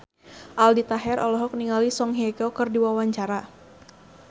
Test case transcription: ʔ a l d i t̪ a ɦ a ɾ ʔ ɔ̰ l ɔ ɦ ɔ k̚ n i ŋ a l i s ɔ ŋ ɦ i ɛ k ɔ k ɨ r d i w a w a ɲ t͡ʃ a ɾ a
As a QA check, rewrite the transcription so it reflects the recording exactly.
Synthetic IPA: ʔ a l d i t̪ a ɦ ɛ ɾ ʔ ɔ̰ l ɔ ɦ ɔ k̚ n i ŋ a l i s ɔ ŋ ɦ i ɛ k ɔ k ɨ r d i w a w a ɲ t͡ʃ a ɾ a